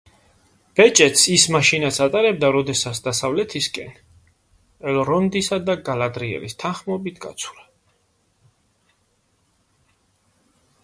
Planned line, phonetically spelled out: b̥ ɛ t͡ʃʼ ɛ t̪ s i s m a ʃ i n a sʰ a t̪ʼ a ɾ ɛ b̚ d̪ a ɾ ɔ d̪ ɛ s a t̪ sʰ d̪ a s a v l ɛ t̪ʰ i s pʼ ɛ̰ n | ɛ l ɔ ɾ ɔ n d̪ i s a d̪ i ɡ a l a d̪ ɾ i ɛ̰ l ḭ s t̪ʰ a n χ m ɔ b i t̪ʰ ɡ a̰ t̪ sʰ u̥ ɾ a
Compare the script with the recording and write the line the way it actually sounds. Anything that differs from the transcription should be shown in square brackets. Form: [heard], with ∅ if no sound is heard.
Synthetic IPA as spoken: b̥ ɛ t͡ʃʼ ɛ t̪ s i s m a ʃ i n a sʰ a t̪ʼ a ɾ ɛ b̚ d̪ a ɾ ɔ d̪ ɛ s a t̪ sʰ d̪ a s a v l ɛ t̪ʰ i s [kʼ] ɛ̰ n | ɛ l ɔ ɾ ɔ n d̪ i s a d̪ [a] ɡ a l a d̪ ɾ i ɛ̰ l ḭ s t̪ʰ a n χ m ɔ b i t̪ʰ ɡ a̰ t̪ sʰ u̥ ɾ a